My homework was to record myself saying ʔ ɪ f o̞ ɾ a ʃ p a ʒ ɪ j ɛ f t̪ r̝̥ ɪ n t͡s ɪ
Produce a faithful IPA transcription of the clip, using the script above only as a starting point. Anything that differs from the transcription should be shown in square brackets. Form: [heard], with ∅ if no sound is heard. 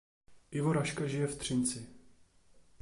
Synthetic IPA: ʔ ɪ [v] o̞ ɾ a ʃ [k] a ʒ ɪ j ɛ f t̪ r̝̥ ɪ n t͡s ɪ